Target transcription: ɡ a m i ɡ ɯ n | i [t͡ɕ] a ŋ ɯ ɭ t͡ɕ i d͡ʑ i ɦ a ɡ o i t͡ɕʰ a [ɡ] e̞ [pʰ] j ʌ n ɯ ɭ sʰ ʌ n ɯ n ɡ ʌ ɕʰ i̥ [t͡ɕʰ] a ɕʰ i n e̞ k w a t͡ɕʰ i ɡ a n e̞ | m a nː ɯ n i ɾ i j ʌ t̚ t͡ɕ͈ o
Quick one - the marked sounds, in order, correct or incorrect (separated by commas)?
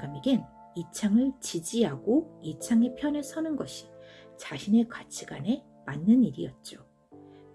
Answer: incorrect, incorrect, correct, incorrect